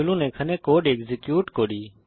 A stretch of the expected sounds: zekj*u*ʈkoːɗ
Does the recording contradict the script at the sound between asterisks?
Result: yes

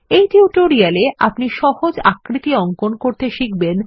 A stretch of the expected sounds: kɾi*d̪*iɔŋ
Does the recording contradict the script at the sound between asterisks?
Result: yes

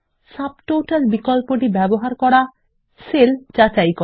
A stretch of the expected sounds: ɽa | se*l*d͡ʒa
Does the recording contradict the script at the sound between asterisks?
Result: no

